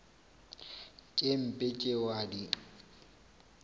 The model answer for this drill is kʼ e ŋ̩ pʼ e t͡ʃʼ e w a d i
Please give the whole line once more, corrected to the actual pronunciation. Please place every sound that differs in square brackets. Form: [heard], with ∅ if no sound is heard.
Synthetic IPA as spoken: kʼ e [m̩] pʼ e t͡ʃʼ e w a d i